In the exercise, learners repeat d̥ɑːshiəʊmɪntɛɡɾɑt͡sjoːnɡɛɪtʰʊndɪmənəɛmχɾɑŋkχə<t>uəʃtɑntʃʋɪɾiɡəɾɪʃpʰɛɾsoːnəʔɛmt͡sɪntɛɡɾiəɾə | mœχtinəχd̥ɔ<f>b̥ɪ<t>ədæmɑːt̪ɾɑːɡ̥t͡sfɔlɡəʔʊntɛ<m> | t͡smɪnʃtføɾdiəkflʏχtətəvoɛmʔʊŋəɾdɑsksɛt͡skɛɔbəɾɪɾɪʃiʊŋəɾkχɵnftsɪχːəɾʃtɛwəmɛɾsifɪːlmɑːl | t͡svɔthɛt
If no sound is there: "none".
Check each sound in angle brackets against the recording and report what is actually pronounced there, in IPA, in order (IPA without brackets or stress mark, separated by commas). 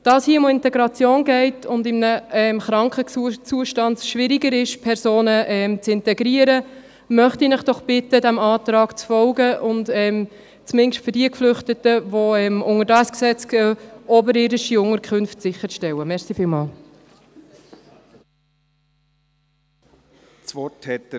t͡s, χ, t, m